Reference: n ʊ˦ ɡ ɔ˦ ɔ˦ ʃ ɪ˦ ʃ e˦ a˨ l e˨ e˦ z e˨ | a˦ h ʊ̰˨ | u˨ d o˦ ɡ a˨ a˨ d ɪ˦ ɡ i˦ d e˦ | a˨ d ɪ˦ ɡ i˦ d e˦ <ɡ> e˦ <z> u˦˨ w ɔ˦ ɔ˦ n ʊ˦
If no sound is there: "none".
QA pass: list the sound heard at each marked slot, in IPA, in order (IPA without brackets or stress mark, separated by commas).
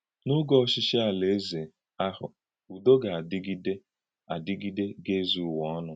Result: ɡ, z